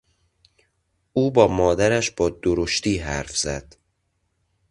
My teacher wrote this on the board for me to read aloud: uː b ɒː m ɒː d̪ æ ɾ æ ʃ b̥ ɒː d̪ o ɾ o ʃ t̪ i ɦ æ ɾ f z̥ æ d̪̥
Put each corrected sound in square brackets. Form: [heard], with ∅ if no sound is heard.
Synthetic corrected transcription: uː b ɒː m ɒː d̪ æ ɾ æ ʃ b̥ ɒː d̪ o ɾ o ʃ t̪ [iː] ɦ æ ɾ f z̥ æ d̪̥